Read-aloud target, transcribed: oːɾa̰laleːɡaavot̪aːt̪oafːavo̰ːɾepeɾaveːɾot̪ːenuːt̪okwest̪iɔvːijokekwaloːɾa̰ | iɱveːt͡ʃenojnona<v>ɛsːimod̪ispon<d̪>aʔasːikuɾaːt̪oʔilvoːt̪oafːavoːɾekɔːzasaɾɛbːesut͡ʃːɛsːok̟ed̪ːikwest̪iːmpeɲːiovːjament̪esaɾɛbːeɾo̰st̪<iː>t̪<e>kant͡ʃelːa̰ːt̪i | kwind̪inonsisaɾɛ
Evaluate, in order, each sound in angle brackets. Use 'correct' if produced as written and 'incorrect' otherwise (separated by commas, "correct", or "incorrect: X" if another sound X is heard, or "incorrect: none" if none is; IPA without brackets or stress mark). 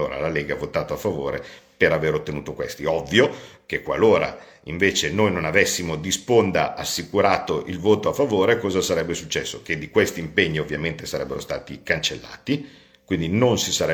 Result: correct, correct, incorrect: aː, incorrect: i